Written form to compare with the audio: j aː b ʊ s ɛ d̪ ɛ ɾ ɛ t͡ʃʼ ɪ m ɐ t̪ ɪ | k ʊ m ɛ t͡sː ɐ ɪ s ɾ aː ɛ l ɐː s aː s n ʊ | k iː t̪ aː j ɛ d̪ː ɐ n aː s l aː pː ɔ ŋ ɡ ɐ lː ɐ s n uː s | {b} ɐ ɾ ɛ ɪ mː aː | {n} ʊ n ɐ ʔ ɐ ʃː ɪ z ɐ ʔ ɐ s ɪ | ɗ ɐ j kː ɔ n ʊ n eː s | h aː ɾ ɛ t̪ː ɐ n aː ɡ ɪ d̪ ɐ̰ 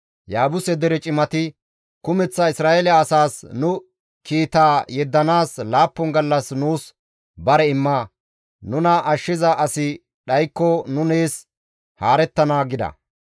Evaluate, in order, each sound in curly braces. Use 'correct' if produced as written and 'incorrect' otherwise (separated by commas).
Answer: correct, correct